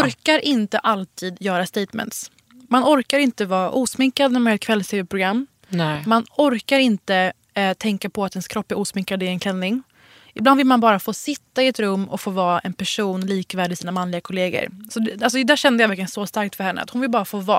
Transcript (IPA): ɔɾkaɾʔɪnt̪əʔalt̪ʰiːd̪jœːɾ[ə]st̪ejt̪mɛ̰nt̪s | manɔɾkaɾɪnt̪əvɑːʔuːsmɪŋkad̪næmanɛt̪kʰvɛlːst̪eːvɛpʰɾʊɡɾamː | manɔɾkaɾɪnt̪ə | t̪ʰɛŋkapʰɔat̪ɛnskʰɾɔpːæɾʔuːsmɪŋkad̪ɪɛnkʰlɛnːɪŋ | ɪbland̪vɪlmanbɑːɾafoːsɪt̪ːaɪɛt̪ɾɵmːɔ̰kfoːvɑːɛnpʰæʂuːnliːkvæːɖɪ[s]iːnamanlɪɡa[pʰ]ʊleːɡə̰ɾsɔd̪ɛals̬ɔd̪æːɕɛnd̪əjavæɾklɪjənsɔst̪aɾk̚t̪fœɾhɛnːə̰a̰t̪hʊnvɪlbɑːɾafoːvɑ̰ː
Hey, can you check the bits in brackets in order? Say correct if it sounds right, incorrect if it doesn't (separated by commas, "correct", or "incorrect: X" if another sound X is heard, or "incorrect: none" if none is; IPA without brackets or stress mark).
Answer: incorrect: a, correct, incorrect: kʰ